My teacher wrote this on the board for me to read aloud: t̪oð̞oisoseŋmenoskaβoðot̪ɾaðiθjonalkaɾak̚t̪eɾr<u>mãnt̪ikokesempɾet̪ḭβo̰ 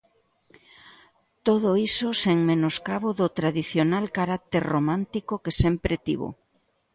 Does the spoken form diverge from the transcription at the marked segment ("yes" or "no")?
yes